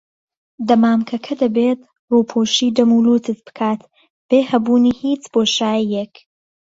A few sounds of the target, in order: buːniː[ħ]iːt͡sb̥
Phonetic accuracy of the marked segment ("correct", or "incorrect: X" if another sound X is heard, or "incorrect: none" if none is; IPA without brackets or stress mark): incorrect: h